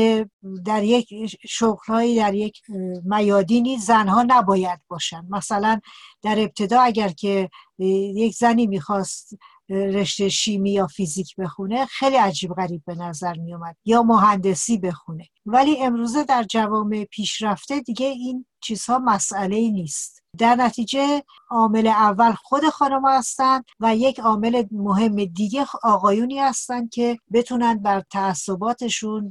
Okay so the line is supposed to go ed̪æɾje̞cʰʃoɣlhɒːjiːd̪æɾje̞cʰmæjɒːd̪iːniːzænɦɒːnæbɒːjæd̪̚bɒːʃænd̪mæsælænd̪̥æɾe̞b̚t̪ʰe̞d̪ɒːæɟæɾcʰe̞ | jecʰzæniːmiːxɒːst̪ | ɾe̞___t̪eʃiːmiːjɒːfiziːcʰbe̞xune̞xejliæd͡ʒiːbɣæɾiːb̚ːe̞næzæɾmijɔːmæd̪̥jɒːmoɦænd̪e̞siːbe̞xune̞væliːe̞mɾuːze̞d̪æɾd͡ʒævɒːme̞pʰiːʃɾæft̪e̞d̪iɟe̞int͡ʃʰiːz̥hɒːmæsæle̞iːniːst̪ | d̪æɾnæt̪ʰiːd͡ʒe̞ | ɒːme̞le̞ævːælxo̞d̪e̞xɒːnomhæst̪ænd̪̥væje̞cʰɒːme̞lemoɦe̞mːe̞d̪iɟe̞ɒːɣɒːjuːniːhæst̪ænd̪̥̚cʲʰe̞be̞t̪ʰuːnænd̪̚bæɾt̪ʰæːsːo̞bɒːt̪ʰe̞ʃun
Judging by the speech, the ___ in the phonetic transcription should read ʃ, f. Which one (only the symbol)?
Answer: ʃ